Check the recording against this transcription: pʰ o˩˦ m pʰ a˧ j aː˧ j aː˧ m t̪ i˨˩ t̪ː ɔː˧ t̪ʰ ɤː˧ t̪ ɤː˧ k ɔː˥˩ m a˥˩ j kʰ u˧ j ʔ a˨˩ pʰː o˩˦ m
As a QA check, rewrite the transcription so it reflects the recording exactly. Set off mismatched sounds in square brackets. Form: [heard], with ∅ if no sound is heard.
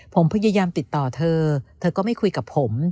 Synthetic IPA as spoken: pʰ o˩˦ m pʰ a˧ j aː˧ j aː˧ m t̪ i˨˩ t̪ː [ɔː˨˩] t̪ʰ ɤː˧ [t̪ʰ] ɤː˧ k ɔː˥˩ m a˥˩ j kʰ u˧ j [k] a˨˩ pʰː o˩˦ m